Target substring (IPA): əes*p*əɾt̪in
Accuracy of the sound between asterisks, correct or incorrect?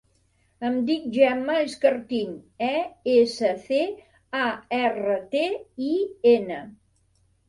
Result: incorrect: k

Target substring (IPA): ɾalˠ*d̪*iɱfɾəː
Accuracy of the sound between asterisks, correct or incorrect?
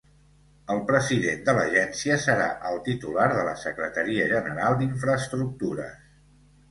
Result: correct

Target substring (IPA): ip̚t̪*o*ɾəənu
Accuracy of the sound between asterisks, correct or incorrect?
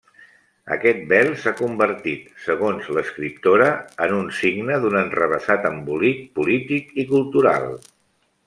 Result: correct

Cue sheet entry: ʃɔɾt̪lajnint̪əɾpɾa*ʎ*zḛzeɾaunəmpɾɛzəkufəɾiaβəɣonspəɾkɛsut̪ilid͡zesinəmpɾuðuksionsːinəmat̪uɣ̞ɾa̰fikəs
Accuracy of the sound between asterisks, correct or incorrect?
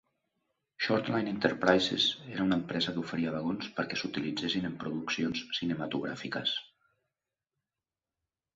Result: incorrect: j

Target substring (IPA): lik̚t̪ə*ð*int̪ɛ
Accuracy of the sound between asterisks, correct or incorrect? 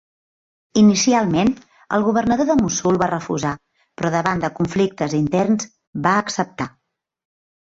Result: incorrect: z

